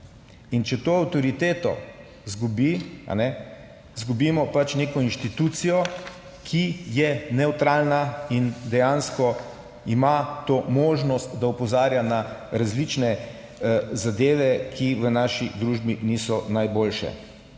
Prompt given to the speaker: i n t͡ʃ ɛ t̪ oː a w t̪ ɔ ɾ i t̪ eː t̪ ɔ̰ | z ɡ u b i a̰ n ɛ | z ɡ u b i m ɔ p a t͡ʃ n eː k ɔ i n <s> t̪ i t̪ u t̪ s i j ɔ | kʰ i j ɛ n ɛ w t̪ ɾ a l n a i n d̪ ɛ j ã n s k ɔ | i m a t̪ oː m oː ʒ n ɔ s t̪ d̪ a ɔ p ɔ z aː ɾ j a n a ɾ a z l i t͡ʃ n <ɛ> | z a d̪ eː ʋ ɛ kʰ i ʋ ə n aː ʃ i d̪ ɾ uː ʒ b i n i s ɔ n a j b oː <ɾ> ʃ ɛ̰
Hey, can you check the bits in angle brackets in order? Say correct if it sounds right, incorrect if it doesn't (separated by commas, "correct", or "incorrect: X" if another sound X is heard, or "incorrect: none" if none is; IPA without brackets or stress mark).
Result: incorrect: ʃ, correct, incorrect: l